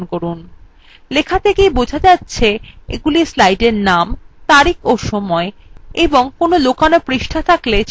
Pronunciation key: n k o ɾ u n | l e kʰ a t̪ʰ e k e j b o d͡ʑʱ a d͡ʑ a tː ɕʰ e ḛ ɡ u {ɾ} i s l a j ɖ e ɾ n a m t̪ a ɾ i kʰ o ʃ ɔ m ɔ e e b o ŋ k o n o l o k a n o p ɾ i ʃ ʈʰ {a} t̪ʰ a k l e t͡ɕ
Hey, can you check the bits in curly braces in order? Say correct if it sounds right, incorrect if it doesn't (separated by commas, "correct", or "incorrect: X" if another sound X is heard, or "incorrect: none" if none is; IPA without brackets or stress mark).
incorrect: l, correct